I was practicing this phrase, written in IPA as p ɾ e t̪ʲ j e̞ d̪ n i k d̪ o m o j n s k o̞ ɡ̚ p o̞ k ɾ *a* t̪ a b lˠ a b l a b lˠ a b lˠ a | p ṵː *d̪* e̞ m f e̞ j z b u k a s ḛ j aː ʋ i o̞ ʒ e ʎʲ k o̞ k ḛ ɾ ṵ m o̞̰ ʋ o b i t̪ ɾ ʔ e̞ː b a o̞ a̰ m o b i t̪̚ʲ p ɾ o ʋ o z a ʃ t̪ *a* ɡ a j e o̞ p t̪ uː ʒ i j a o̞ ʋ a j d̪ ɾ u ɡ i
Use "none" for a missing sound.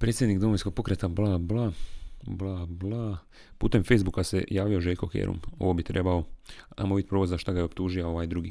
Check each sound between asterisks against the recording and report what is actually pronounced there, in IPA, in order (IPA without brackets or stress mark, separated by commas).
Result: e, t̪, a